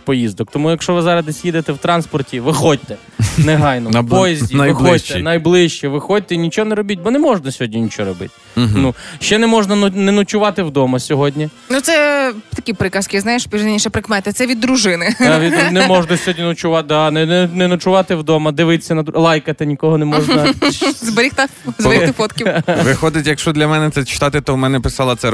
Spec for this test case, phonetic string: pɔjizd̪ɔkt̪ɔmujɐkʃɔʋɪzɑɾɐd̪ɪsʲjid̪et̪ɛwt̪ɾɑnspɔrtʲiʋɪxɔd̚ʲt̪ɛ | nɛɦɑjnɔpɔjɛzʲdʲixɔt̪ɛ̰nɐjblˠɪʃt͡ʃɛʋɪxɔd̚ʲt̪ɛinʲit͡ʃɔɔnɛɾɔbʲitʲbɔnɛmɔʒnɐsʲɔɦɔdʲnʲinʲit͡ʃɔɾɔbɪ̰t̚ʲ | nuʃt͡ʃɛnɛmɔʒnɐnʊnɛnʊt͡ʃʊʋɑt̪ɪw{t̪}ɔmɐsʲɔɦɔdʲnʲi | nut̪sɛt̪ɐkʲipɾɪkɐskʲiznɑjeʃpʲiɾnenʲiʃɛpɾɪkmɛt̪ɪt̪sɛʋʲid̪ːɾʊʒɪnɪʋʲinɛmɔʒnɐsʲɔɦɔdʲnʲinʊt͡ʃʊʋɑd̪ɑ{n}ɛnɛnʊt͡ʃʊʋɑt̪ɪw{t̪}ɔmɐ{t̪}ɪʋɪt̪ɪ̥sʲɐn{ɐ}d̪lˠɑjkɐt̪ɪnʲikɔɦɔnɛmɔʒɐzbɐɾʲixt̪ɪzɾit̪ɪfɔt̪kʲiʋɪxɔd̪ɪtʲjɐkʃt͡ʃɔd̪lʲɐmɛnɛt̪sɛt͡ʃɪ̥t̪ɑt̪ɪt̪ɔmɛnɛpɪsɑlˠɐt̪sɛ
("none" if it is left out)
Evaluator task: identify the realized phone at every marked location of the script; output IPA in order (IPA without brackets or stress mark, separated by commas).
d̪, n, d̪, d̪, ɐ